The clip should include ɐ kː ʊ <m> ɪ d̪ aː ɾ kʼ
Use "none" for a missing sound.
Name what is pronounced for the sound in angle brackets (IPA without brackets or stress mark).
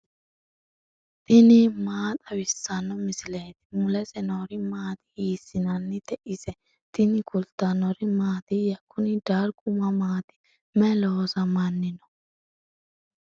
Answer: n